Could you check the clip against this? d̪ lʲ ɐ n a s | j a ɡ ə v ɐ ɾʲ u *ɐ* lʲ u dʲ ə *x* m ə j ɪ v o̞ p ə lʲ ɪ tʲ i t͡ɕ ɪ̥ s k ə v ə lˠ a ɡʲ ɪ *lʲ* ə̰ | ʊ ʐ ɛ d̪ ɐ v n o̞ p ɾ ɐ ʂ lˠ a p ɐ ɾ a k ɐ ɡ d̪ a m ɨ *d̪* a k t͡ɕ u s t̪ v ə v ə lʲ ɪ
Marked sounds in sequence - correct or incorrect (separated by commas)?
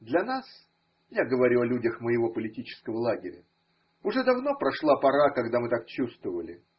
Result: correct, correct, incorrect, incorrect